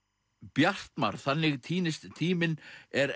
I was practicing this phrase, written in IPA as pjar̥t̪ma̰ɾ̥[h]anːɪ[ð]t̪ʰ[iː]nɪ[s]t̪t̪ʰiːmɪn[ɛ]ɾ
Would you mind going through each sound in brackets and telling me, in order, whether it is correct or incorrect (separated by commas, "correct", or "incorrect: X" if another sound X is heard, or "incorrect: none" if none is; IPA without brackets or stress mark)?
incorrect: θ, incorrect: ɣ, correct, correct, correct